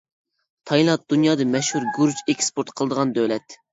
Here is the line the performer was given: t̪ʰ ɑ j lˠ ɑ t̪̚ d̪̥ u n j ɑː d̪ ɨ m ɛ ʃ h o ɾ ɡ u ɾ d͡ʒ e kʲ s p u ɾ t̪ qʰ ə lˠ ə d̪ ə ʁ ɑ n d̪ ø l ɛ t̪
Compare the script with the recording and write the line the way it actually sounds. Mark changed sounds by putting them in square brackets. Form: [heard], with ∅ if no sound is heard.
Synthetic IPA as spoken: t̪ʰ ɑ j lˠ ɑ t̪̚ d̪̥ u n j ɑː d̪ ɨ m ɛ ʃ h [u] ɾ ɡ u ɾ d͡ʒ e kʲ s p [o] ɾ t̪ qʰ ə lˠ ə d̪ ə ʁ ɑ n d̪ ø l ɛ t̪